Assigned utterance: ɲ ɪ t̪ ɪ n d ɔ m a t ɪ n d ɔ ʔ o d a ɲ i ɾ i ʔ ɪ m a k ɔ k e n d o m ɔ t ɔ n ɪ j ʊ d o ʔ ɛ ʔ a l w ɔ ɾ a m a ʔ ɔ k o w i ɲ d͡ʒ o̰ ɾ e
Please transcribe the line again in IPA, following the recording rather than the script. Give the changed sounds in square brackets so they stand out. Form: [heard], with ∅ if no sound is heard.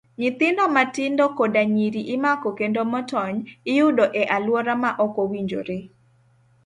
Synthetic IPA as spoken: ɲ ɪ t̪ ɪ n d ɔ m a t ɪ n d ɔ [k] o d a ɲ i ɾ i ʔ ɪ m a k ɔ k e n d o m ɔ t ɔ [ɲ] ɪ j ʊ d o ʔ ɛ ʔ a l w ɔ ɾ a m a ʔ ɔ k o w i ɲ d͡ʒ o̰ ɾ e